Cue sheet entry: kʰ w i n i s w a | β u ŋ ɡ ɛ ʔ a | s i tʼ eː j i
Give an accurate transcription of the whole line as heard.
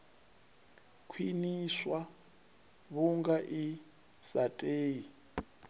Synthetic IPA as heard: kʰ w i n i s w a | β u ŋ ɡ a ʔ i | s a tʼ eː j i